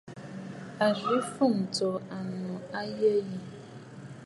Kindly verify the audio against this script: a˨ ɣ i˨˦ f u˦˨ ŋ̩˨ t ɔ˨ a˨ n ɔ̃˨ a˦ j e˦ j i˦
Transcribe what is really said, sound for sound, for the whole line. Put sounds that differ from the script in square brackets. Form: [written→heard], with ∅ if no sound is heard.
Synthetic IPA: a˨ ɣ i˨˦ f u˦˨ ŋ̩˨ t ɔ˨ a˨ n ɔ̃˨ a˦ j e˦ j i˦